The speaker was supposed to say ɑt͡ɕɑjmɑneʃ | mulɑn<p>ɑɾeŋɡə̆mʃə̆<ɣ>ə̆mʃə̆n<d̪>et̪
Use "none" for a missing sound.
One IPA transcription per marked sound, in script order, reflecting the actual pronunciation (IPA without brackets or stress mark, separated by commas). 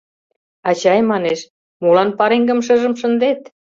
p, ʒ, d̪